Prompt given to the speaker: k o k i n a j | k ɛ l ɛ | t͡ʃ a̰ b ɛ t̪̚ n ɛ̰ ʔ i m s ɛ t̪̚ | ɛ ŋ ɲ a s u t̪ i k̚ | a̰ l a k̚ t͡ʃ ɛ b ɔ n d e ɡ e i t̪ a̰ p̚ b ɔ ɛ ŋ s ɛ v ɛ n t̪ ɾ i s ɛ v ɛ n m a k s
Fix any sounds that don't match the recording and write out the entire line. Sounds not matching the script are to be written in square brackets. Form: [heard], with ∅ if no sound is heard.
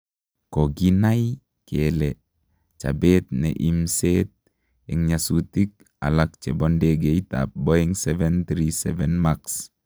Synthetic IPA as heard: k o [ɡ] i n a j | k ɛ l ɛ | t͡ʃ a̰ b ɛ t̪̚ n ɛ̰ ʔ i m s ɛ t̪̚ | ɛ ŋ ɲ a s u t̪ i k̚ | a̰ l a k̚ t͡ʃ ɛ b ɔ n d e ɡ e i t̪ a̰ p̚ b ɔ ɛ ŋ s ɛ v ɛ n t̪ ɾ i s ɛ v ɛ n m a k s